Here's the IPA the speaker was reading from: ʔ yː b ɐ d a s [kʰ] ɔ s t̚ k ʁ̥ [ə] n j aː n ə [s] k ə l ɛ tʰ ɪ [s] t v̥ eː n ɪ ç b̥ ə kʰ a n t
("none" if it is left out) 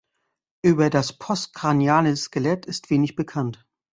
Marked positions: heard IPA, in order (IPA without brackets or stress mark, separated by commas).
pʰ, a, s, s